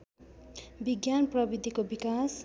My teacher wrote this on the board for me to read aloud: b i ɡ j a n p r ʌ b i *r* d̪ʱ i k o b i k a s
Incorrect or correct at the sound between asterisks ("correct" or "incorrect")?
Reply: incorrect